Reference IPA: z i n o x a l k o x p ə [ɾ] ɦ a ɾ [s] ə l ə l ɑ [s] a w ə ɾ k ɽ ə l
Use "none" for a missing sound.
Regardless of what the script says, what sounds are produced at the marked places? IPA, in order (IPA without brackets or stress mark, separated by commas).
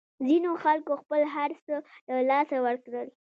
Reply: l, s, s